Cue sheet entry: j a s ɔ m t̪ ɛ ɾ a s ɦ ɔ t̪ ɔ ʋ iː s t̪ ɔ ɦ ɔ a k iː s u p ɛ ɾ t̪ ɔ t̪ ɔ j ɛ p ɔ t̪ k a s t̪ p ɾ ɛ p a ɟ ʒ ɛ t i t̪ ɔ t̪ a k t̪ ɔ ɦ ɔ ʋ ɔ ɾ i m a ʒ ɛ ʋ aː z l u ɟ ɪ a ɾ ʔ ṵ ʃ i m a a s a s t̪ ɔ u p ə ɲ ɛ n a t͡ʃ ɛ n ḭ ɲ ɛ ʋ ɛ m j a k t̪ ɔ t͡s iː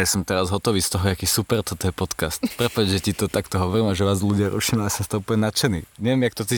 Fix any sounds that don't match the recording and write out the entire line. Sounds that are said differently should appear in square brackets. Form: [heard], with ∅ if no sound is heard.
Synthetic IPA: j a s ɔ m t̪ ɛ ɾ a [z] ɦ ɔ t̪ ɔ ʋ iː s t̪ ɔ ɦ ɔ a k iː s u p ɛ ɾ t̪ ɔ t̪ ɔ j ɛ p ɔ t̪ k a s t̪ p ɾ ɛ p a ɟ ʒ ɛ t i t̪ ɔ t̪ a k t̪ ɔ ɦ ɔ ʋ ɔ ɾ i m a ʒ ɛ ʋ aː z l u ɟ ɪ a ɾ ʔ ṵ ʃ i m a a s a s t̪ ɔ u p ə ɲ ɛ n a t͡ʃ ɛ n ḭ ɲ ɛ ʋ ɛ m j a k t̪ ɔ t͡s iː